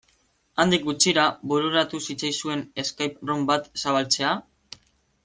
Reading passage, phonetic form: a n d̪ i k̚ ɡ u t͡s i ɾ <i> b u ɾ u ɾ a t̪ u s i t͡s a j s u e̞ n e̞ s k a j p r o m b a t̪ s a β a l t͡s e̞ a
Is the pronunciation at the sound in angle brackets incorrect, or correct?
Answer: incorrect